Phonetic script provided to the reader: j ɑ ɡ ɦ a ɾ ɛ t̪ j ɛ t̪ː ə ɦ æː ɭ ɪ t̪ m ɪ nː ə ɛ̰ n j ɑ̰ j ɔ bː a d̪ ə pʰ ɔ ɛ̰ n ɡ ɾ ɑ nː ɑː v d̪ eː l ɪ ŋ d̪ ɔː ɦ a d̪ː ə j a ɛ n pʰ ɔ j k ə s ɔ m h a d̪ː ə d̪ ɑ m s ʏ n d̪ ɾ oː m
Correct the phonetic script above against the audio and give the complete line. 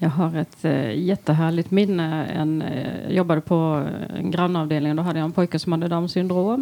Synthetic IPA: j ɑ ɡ ɦ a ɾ ɛ t̪ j ɛ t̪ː ə ɦ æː ɭ ɪ t̪ m ɪ nː ə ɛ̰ n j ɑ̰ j ɔ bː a d̪ ə pʰ ɔ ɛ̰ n ɡ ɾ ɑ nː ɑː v d̪ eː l ɪ ŋ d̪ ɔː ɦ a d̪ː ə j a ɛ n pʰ ɔ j k ə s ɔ m h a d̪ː ə d̪ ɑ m s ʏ n d̪ ɾ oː m